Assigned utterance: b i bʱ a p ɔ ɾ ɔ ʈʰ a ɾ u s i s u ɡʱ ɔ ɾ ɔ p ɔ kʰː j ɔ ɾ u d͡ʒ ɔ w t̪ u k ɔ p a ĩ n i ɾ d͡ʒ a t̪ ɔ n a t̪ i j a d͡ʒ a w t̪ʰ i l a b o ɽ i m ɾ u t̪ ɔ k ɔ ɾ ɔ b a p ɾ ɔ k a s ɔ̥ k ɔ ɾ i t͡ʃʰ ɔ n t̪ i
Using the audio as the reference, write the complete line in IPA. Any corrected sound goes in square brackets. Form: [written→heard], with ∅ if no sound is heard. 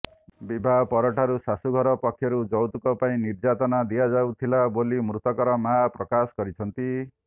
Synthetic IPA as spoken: b i bʱ a p ɔ ɾ ɔ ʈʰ a ɾ u s [i→a] s u ɡʱ ɔ ɾ ɔ p ɔ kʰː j ɔ ɾ u d͡ʒ ɔ w t̪ u k ɔ p a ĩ n i ɾ d͡ʒ a t̪ ɔ n a [t̪→d̪] i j a d͡ʒ a w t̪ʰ i l a b o [ɽ→l] i m ɾ u t̪ ɔ k ɔ ɾ ɔ [b→m] a p ɾ ɔ k a s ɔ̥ k ɔ ɾ i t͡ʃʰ ɔ n t̪ i